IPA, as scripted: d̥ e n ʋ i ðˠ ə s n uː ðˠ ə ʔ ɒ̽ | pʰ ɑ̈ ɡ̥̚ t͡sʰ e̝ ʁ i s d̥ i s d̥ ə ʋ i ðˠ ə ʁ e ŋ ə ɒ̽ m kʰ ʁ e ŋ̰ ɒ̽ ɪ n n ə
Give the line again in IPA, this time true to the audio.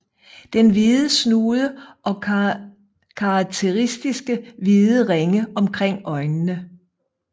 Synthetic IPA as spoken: d̥ e n ʋ i ðˠ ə s n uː ðˠ ə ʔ ɒ̽ | kʰ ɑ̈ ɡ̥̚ t͡sʰ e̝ ʁ i s d̥ i s ɡ̥ ə ʋ i ðˠ ə ʁ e ŋ ə ɒ̽ m kʰ ʁ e ŋ̰ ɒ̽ ɪ n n ə